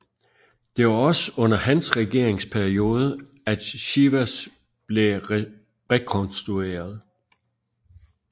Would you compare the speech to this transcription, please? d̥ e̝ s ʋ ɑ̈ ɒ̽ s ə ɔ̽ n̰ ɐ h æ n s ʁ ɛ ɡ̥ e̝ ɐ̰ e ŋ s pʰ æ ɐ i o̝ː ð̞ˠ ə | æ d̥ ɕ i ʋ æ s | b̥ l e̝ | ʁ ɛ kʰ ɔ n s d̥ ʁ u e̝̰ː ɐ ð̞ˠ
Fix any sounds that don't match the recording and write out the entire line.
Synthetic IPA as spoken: d̥ e̝ ʋ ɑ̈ ɒ̽ s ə ɔ̽ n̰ ɐ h æ n s ʁ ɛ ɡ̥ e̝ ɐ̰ e ŋ s pʰ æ ɐ i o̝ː ð̞ˠ ə | æ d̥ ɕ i ʋ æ s | b̥ l e̝ | ʁ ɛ kʰ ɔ n s d̥ ʁ u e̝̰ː ɐ ð̞ˠ

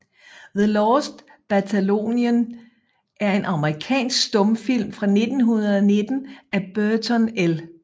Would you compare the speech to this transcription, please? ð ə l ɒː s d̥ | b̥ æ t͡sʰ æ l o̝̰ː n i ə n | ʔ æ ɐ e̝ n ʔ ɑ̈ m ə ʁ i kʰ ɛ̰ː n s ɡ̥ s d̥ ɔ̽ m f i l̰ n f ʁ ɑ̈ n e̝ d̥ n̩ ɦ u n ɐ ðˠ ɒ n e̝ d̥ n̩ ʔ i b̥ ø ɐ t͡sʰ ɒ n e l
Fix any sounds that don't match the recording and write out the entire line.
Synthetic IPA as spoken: ð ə l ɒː s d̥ | b̥ æ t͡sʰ æ l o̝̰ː n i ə n | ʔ æ ɐ e̝ n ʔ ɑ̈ m ə ʁ i kʰ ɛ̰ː n s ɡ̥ s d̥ ɔ̽ m f i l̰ m f ʁ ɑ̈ n e̝ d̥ n̩ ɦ u n ɐ ðˠ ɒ n e̝ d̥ n̩ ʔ æ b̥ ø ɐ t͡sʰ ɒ n e l

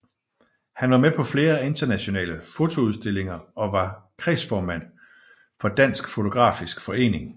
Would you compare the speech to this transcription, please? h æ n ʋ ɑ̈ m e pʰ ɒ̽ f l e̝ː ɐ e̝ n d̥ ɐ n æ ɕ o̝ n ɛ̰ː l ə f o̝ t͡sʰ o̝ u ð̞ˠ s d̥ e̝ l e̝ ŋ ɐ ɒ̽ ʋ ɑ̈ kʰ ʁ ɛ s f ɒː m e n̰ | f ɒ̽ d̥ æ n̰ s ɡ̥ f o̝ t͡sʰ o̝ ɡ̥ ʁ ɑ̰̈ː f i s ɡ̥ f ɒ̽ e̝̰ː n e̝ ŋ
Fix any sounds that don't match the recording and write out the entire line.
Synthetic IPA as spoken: h æ n ʋ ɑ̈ m e pʰ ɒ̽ f l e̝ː ɐ e̝ n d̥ ɐ n æ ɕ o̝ n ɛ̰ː l ə f o̝ t͡sʰ o̝ u ð̞ˠ s d̥ e̝ l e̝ ŋ ɐ ɒ̽ ʋ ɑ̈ kʰ ʁ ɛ s f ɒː m æ n̰ | f ɒ̽ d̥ æ n̰ s ɡ̥ f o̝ t͡sʰ o̝ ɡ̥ ʁ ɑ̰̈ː f i s ɡ̥ f ɒ̽ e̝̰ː n e̝ ŋ

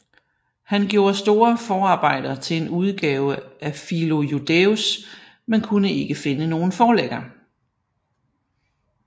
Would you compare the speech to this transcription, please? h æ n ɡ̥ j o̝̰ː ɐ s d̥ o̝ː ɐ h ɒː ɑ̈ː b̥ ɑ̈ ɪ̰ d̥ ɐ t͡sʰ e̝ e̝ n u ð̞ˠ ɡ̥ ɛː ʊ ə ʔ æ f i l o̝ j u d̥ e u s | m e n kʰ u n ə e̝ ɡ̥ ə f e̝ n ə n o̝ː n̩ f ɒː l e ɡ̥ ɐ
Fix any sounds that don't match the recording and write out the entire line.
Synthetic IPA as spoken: h æ n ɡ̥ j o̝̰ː ɐ s d̥ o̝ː ɐ f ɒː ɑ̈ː b̥ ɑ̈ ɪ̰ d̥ ɐ t͡sʰ e̝ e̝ n u ð̞ˠ ɡ̥ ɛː ʊ ə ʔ æ f i l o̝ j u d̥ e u s | m e n kʰ u n ə e̝ ɡ̥ ə f e̝ n ə n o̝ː n̩ f ɒː l e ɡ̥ ɐ

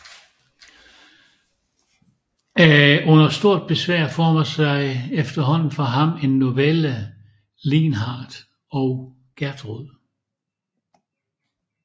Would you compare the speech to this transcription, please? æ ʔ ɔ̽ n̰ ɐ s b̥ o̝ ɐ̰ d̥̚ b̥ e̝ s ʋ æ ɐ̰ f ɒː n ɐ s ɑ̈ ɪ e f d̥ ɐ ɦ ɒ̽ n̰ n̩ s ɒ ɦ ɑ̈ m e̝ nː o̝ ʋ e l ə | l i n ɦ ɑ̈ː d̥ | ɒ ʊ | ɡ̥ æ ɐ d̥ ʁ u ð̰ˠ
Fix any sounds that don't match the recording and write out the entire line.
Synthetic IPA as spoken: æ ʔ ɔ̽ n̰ ɐ s d̥ o̝ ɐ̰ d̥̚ b̥ e̝ s ʋ æ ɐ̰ f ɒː m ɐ s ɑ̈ ɪ e f d̥ ɐ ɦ ɒ̽ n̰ n̩ f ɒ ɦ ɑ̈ m e̝ nː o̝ ʋ e l ə | l i n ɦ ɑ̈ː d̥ | ɒ ʊ | ɡ̥ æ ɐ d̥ ʁ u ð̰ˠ

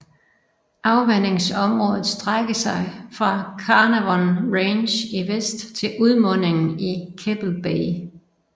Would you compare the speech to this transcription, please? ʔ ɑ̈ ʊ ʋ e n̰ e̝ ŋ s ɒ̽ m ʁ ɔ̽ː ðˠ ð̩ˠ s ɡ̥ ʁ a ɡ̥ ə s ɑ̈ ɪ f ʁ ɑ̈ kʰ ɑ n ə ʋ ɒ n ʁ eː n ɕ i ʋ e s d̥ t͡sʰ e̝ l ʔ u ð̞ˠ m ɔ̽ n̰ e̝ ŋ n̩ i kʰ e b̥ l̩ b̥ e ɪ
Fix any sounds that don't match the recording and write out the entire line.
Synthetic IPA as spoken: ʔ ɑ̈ ʊ ʋ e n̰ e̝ ŋ s ɒ̽ m ʁ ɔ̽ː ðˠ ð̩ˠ s d̥ ʁ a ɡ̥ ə s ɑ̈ ɪ f ʁ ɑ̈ kʰ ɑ n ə ʋ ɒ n ʁ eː n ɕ i ʋ e s d̥ t͡sʰ e̝ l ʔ u ð̞ˠ m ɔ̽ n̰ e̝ ŋ n̩ i kʰ e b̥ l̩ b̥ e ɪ

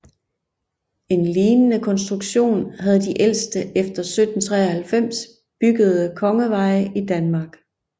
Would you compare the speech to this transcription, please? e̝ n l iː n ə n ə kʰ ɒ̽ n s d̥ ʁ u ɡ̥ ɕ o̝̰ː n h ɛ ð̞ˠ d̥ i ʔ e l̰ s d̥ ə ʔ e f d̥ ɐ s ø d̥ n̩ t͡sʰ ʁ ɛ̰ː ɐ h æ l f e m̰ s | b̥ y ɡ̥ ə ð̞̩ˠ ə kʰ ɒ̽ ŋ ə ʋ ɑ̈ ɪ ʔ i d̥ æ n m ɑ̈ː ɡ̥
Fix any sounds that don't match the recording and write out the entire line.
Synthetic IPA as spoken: e̝ n l iː n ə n ə kʰ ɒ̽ n s d̥ ʁ u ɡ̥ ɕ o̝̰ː n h æ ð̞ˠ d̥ i ʔ e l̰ s d̥ ə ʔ e f d̥ ɐ s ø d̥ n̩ t͡sʰ ʁ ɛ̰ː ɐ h æ l f e m̰ s | b̥ y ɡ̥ ə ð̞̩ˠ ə kʰ ɒ̽ ŋ ə ʋ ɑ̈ ɪ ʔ i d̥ æ n m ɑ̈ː ɡ̥

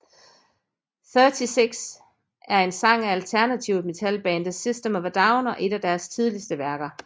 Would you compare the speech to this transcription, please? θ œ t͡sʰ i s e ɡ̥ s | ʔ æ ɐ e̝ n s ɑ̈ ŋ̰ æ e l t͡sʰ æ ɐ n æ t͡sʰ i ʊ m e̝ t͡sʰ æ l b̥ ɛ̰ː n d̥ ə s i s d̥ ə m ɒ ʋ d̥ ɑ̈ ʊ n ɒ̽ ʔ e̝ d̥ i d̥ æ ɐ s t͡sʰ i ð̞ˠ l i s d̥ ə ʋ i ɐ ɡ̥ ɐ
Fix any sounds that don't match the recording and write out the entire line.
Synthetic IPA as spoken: θ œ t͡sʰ i s e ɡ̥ s | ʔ æ ɐ e̝ n s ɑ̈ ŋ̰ æ æ l t͡sʰ æ ɐ n æ t͡sʰ i ʊ m e̝ t͡sʰ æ l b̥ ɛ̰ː n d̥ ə s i s d̥ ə m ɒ ʋ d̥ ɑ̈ ʊ n ɒ̽ ʔ e̝ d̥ æ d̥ æ ɐ s t͡sʰ i ð̞ˠ l i s d̥ ə ʋ æ ɐ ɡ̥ ɐ

